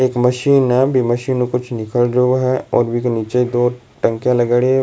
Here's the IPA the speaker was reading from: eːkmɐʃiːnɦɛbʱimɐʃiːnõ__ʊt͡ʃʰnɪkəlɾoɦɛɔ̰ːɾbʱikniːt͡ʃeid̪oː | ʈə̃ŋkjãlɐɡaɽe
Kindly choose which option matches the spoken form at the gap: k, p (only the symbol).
k